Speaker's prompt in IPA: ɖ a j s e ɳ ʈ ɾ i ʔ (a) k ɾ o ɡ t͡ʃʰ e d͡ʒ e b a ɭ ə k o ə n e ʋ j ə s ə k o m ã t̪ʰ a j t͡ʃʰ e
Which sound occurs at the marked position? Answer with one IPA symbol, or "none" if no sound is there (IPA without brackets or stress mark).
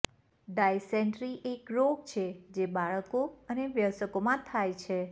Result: e